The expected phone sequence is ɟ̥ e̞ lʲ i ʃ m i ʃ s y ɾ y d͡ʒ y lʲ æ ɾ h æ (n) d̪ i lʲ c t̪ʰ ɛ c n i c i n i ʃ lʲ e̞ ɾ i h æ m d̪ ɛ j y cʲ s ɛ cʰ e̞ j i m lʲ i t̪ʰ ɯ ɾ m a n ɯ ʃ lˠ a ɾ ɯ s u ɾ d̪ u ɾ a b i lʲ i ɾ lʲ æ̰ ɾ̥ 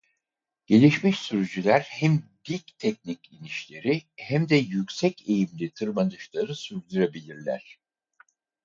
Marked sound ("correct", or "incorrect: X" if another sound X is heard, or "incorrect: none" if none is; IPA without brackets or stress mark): incorrect: m